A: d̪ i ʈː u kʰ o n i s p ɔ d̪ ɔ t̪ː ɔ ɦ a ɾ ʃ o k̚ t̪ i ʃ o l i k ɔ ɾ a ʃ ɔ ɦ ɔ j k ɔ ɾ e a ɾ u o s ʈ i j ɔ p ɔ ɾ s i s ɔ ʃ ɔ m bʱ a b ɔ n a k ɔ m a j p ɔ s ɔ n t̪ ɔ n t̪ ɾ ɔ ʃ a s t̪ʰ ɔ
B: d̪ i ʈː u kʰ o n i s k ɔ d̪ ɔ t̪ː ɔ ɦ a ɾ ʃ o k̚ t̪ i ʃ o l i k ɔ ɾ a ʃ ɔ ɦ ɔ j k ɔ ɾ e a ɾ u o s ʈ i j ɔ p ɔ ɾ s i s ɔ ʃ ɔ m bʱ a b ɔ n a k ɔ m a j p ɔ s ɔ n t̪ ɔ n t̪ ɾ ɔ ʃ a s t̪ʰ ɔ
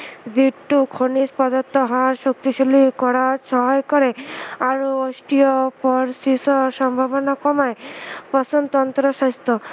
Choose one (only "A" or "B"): A